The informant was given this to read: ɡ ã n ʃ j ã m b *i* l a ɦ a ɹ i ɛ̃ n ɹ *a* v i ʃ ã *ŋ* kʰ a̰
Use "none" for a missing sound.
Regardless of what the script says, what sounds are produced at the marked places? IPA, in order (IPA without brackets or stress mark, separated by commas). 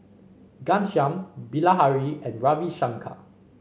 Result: i, a, ŋ